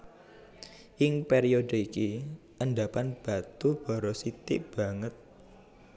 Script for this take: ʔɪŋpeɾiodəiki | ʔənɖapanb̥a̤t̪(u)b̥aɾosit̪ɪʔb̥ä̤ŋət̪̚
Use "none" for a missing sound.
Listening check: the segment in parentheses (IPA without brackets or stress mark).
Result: u